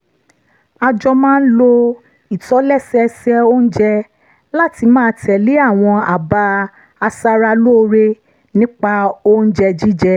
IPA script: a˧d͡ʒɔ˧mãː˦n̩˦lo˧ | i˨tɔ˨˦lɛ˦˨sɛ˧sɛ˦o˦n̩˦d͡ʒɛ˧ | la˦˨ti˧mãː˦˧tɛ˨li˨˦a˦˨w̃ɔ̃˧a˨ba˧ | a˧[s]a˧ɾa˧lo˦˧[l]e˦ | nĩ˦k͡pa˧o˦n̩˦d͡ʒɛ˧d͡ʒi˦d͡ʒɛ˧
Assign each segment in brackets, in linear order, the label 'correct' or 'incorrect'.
correct, incorrect: ɾ

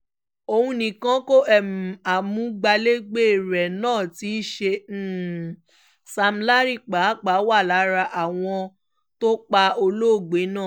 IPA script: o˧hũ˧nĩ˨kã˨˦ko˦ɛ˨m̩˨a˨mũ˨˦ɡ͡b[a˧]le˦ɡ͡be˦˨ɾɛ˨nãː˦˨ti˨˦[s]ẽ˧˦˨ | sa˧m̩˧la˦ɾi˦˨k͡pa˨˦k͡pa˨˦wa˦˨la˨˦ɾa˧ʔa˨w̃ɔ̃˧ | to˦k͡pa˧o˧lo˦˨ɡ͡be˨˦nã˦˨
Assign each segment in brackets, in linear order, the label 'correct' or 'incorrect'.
correct, incorrect: ʃ

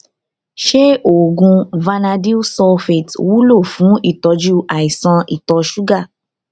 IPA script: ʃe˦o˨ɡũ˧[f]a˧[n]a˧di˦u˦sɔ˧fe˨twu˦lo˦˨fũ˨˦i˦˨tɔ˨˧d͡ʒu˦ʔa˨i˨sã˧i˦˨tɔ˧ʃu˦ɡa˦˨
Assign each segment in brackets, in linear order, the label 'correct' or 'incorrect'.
incorrect: v, correct

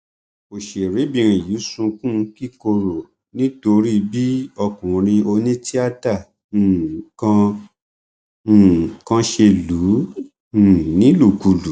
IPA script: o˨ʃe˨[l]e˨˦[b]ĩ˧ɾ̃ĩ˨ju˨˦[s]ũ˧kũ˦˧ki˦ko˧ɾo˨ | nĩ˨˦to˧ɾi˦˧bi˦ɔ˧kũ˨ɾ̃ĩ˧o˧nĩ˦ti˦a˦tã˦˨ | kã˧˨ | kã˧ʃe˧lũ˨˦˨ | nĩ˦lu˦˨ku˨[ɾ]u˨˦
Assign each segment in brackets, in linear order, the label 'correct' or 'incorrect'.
incorrect: ɾ, correct, correct, incorrect: l

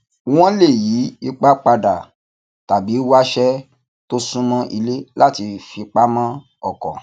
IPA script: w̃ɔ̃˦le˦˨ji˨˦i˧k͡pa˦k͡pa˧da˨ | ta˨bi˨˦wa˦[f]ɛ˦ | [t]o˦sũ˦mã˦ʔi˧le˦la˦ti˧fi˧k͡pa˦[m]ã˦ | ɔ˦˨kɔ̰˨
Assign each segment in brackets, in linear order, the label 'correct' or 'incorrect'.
incorrect: ʃ, correct, correct

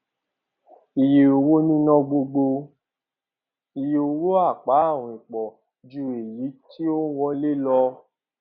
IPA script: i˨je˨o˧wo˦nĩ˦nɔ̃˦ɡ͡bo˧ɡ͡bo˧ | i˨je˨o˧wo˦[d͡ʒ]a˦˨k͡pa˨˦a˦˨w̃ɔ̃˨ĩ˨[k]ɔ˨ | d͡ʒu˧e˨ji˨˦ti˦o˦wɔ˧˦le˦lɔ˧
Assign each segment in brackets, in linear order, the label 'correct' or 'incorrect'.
incorrect: none, incorrect: k͡p

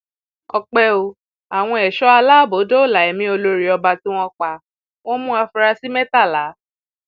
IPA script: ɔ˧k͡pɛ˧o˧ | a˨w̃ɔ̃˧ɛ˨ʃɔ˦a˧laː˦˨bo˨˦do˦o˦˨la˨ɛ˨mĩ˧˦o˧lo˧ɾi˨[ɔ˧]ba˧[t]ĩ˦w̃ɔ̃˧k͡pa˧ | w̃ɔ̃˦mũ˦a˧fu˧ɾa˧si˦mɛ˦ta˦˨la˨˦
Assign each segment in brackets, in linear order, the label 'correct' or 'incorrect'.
correct, correct

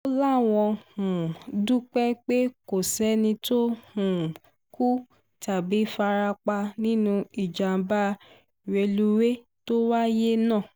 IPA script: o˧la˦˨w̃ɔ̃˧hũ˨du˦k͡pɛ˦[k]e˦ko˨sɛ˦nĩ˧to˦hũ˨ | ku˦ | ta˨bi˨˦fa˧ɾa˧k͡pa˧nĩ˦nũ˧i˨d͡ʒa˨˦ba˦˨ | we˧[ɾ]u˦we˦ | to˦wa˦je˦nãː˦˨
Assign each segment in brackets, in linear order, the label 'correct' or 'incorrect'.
incorrect: k͡p, incorrect: l

